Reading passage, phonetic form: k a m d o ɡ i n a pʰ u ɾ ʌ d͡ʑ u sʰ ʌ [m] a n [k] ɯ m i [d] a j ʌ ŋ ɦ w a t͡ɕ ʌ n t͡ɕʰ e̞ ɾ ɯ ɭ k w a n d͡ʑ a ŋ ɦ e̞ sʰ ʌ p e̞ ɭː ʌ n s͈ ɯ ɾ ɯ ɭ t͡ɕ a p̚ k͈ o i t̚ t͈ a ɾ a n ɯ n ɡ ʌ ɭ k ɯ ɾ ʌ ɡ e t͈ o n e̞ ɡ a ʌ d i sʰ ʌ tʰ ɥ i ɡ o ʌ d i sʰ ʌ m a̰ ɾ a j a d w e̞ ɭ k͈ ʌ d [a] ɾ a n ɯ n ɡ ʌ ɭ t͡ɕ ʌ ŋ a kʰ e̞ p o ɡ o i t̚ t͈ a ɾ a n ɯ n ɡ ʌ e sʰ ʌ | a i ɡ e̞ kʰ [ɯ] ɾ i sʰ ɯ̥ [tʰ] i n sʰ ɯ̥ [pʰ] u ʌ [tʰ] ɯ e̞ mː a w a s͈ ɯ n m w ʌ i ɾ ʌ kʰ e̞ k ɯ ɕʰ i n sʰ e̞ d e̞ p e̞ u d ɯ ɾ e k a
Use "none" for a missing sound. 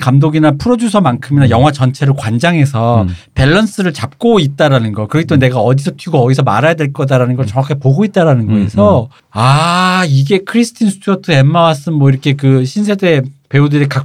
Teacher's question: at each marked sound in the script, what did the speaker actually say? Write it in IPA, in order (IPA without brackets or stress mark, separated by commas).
m, kʰ, n, a, ɯ, tʰ, tʰ, tʰ